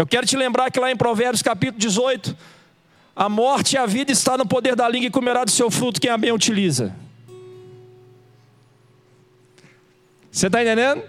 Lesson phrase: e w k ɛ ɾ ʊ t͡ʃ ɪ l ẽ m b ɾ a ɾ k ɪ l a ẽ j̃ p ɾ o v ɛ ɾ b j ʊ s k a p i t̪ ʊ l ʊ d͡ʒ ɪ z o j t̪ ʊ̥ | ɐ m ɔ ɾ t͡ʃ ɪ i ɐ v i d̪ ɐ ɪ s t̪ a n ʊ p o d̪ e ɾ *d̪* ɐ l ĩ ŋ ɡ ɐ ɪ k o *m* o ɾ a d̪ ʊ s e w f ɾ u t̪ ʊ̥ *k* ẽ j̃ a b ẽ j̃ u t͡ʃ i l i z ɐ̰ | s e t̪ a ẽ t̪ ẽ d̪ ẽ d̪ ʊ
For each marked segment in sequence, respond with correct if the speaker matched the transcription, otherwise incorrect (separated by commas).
correct, correct, correct